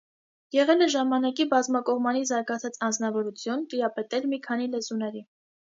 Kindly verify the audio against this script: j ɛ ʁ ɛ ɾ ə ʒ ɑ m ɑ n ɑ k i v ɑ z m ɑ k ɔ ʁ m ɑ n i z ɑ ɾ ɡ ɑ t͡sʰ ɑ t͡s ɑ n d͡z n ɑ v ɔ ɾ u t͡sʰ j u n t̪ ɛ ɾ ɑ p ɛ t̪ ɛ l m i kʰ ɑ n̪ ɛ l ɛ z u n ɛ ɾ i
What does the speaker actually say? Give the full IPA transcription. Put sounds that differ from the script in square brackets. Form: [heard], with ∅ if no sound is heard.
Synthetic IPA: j ɛ ʁ ɛ [l] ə ʒ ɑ m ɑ n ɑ k i [b] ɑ z m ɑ k ɔ ʁ m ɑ n i z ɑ ɾ ɡ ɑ t͡sʰ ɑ t͡s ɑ n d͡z n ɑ v ɔ ɾ u t͡sʰ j u n t̪ [i] ɾ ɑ p ɛ t̪ ɛ l m i kʰ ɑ n̪ [i] l ɛ z u n ɛ ɾ i

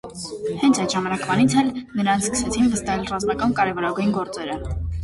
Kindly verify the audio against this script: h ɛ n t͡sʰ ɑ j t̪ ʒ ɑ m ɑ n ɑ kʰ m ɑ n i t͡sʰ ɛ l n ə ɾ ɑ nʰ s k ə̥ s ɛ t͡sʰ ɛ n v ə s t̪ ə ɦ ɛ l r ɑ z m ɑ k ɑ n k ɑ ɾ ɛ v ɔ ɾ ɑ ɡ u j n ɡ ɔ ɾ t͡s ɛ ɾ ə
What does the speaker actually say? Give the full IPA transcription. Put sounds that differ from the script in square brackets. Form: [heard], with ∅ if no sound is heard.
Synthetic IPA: h ɛ n t͡sʰ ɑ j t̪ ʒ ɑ m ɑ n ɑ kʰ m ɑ n i t͡sʰ ɛ l n ə ɾ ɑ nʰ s k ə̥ s ɛ t͡sʰ [i] n v ə s t̪ [ɑ] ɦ ɛ l r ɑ z m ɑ k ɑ n k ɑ ɾ ɛ v ɔ ɾ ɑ ɡ u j n ɡ ɔ ɾ t͡s ɛ ɾ ə

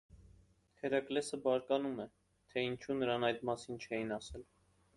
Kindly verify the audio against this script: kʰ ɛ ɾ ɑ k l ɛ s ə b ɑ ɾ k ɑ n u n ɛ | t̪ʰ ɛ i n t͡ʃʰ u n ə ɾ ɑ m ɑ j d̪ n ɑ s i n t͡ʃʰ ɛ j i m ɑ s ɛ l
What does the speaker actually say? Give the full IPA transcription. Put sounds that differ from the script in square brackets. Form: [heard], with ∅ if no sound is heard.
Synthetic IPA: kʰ ɛ ɾ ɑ k l ɛ s ə b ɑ ɾ k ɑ n u [m] ɛ | t̪ʰ ɛ i n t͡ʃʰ u n ə ɾ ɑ [n] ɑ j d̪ [m] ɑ s i n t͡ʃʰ ɛ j i [n] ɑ s ɛ l

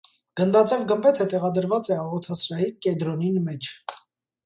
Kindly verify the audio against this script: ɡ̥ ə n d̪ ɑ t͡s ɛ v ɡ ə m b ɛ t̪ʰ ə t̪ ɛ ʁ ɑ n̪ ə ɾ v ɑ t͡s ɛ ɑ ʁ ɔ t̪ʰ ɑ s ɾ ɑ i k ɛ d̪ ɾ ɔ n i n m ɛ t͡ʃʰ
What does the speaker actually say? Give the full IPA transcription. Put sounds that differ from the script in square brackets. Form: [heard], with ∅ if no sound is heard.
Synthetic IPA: ɡ̥ ə n d̪ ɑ t͡s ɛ v ɡ ə m b ɛ t̪ʰ ə t̪ ɛ ʁ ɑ [d̪] ə ɾ v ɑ t͡s ɛ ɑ ʁ ɔ t̪ʰ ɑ s ɾ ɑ i k ɛ d̪ ɾ ɔ n i n m ɛ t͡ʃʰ

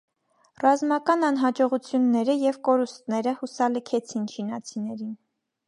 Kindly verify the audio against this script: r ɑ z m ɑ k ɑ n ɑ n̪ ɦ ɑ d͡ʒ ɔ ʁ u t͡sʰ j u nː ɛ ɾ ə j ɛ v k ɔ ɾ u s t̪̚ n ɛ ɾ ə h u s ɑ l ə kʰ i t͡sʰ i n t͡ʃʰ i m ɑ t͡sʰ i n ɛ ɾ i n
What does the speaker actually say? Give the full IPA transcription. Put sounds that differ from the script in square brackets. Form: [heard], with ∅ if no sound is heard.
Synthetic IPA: r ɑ z m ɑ k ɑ n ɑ n̪ ɦ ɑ d͡ʒ ɔ ʁ u t͡sʰ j u nː ɛ ɾ ə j ɛ v k ɔ ɾ u s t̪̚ n ɛ ɾ ə h u s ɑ l ə kʰ [ɛ] t͡sʰ i n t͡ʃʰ i [n] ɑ t͡sʰ i n ɛ ɾ i n

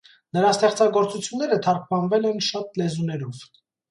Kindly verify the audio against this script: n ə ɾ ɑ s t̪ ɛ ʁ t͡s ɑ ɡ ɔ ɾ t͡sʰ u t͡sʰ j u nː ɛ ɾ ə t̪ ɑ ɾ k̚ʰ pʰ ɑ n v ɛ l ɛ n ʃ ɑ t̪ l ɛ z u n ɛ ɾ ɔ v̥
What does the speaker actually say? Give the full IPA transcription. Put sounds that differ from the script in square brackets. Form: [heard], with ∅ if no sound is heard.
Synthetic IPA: n ə ɾ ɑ s t̪ ɛ [χ] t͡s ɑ ɡ ɔ ɾ [t͡s] u t͡sʰ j u nː ɛ ɾ ə [t̪ʰ] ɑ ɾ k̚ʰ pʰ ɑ n v ɛ l ɛ n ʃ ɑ t̪ l ɛ z u n ɛ ɾ ɔ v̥

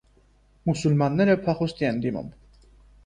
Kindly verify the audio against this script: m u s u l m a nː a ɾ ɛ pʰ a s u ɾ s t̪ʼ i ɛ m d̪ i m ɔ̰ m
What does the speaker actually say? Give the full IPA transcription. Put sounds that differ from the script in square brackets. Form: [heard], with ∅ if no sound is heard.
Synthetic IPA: m u s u l m a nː [ɛ] ɾ ɛ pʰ a [χ] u [∅] s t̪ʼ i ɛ [n] d̪ i m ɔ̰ m

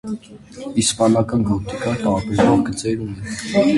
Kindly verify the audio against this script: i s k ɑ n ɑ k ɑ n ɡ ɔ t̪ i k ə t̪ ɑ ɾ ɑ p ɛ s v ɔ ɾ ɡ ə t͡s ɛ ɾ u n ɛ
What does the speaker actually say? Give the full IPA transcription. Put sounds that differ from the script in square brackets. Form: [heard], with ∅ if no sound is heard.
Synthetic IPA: i s [p] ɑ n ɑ k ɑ n ɡ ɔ t̪ i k [ɑ] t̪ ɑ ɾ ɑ p ɛ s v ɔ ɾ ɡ ə t͡s ɛ ɾ u n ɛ

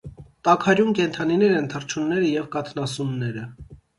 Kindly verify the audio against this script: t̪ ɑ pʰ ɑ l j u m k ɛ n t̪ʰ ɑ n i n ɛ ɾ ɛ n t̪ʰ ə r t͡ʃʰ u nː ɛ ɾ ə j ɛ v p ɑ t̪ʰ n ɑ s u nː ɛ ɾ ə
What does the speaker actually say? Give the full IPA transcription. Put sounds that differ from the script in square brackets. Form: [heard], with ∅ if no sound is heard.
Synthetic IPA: t̪ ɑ [kʰ] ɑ [ɾ] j u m k ɛ n t̪ʰ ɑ n i n ɛ ɾ ɛ n t̪ʰ ə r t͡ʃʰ u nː ɛ ɾ ə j ɛ v [k] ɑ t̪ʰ n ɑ s u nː ɛ ɾ ə

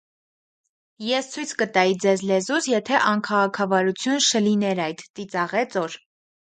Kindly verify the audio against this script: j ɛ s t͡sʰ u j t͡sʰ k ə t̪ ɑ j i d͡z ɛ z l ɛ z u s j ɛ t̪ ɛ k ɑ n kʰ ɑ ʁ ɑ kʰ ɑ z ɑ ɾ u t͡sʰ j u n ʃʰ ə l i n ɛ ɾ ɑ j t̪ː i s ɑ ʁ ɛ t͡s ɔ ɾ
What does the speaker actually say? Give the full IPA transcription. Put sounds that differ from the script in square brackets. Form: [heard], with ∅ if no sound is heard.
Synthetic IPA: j ɛ s t͡sʰ u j t͡sʰ k ə t̪ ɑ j i d͡z ɛ z l ɛ z u s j ɛ [t̪ʰ] ɛ [ʔ] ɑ n kʰ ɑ ʁ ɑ kʰ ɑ [v] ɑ ɾ u t͡sʰ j u n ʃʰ ə l i n ɛ ɾ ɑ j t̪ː i [t͡s] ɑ ʁ ɛ t͡s ɔ ɾ

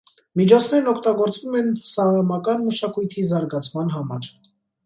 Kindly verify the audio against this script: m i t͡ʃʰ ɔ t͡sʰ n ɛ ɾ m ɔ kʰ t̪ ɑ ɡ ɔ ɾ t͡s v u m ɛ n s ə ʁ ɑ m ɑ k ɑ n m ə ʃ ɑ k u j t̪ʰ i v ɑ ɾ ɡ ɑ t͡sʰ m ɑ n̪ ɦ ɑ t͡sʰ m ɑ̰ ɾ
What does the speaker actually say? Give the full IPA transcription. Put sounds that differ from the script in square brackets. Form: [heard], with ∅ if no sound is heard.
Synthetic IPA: m i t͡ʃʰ ɔ t͡sʰ n ɛ ɾ [n] ɔ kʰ t̪ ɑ ɡ ɔ ɾ t͡s v u m ɛ n s [ɑ] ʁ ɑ m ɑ k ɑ n m ə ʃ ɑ k u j t̪ʰ i [z] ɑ ɾ ɡ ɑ t͡sʰ m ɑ n̪ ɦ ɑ [∅] m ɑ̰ ɾ

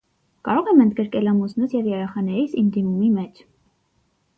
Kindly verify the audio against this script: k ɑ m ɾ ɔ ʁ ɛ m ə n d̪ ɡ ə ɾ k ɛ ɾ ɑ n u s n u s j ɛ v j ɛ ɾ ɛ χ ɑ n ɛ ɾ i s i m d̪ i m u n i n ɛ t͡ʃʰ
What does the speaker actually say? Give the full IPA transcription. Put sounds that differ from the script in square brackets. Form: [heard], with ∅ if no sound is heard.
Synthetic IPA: k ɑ [∅] ɾ ɔ ʁ ɛ m ə n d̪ ɡ ə ɾ k ɛ [l] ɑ [m] u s n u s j ɛ v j ɛ ɾ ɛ χ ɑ n ɛ ɾ i s i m d̪ i m u [m] i [m] ɛ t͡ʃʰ

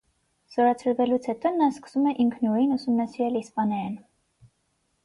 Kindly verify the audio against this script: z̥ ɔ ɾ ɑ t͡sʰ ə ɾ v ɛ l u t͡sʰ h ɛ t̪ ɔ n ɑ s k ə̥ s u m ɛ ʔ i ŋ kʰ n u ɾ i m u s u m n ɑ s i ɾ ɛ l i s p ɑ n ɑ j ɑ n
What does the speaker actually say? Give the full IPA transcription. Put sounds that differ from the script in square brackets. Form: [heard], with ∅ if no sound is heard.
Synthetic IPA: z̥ ɔ ɾ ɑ t͡sʰ ə ɾ v ɛ l u t͡sʰ h ɛ t̪ ɔ n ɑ s k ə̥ s u m ɛ ʔ i ŋ kʰ n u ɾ i [n] u s u m n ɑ s i ɾ ɛ l i s p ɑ n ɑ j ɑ n

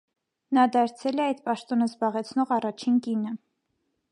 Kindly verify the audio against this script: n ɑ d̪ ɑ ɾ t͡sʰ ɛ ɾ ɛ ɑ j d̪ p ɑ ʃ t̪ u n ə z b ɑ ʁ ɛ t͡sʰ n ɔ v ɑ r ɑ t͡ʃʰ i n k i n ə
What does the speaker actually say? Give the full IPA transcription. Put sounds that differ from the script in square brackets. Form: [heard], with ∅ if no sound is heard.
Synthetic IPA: n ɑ d̪ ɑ ɾ t͡sʰ ɛ [l] ɛ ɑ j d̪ p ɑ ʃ t̪ [ɔ] n ə z b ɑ ʁ ɛ t͡sʰ n ɔ [ʁ] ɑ r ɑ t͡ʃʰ i n k i n ə

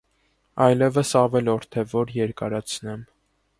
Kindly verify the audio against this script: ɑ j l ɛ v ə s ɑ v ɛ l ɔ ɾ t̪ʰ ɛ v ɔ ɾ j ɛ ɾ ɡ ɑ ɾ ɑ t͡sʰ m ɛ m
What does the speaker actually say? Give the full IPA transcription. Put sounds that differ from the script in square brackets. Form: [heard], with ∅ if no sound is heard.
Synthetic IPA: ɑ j l ɛ v ə s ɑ v ɛ l ɔ ɾ t̪ʰ ɛ v ɔ ɾ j ɛ ɾ [k] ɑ ɾ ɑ t͡sʰ [n] ɛ m

